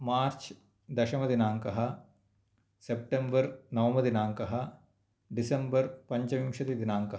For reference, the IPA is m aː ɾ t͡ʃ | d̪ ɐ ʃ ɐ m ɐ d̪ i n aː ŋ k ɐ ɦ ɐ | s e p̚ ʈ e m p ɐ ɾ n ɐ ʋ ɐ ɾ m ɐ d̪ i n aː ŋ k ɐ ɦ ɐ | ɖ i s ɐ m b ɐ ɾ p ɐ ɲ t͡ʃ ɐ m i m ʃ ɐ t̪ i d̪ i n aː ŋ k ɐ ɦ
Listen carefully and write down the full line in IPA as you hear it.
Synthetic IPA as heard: m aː ɾ t͡ʃ | d̪ ɐ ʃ ɐ m ɐ d̪ i n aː ŋ k ɐ ɦ ɐ | s e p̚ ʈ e m b ɐ ɾ n ɐ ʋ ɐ m ɐ d̪ i n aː ŋ k ɐ ɦ ɐ | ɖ i s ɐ m b ɐ ɾ p ɐ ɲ t͡ʃ ɐ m i m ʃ ɐ t̪ i d̪ i n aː ŋ k ɐ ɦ